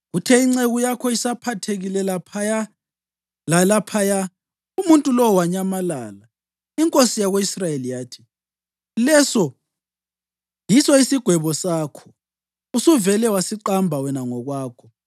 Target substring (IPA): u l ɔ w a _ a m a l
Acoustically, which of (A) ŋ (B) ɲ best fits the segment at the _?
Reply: B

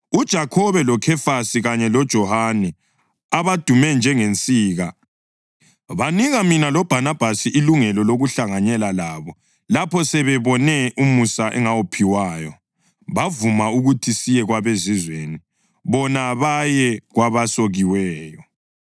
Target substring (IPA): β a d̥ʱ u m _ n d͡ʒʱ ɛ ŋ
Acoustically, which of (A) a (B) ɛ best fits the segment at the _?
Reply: B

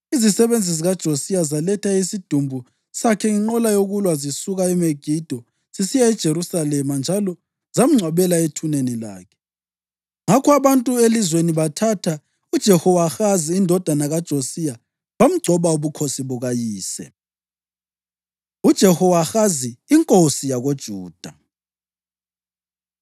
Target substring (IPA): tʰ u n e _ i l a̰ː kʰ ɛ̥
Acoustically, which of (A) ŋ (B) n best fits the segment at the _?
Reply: B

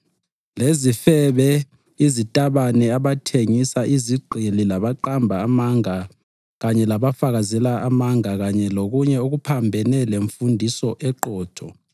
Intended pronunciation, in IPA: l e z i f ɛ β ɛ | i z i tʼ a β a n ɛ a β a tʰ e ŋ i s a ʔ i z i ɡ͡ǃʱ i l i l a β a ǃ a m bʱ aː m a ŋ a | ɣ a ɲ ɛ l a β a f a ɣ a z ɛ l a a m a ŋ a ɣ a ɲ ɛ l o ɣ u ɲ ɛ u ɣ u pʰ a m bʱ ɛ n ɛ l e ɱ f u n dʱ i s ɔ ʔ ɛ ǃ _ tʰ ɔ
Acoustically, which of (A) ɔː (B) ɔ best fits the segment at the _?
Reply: A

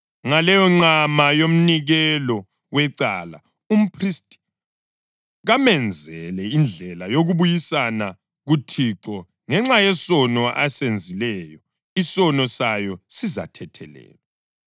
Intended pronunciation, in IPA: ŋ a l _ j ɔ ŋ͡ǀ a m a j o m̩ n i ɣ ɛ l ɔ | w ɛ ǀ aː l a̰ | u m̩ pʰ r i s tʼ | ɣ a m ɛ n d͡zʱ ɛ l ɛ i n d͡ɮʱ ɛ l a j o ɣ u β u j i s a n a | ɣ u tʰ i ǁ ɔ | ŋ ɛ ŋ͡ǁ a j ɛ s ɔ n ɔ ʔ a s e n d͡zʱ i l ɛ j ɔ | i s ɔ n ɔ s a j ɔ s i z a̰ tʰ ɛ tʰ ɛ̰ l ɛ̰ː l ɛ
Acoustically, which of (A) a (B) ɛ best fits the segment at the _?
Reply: B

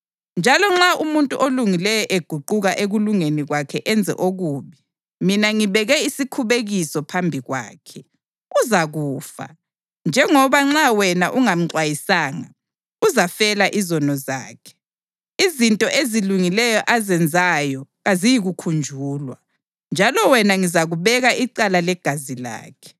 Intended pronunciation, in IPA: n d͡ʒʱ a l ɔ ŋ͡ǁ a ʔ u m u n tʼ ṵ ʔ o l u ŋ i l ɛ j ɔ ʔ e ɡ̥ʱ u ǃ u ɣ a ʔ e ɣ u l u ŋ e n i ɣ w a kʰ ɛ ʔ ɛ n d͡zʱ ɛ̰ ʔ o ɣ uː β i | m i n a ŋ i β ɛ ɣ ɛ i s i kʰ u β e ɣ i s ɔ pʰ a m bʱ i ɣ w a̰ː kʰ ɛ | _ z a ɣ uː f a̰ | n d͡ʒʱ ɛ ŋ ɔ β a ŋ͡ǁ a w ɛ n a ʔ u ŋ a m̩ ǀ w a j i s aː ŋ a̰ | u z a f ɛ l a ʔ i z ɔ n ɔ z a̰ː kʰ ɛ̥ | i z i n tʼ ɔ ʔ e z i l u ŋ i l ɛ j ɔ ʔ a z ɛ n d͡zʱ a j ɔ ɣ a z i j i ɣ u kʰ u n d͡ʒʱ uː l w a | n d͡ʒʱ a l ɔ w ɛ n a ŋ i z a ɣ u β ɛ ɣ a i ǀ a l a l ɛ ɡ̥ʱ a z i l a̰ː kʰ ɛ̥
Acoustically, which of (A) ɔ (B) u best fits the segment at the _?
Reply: B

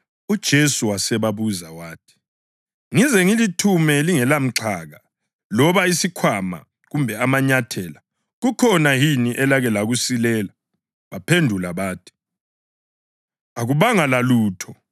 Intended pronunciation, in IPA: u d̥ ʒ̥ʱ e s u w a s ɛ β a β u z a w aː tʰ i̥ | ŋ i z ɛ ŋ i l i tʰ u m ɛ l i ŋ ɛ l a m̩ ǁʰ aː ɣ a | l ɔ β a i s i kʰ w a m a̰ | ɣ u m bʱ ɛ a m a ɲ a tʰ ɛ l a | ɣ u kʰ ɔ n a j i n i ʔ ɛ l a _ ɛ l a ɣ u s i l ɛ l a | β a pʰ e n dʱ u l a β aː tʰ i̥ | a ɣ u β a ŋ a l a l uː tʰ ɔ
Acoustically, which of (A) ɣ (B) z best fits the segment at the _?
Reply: A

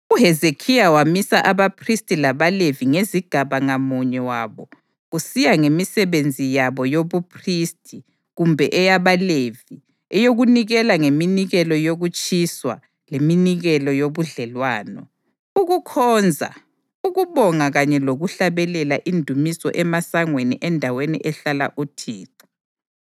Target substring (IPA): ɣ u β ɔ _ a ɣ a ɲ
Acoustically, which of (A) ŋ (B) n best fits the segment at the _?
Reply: A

